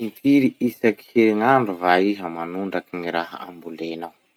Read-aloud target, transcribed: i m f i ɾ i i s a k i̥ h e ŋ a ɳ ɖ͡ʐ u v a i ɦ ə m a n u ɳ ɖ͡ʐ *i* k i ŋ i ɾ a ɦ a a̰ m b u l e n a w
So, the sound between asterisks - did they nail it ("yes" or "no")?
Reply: no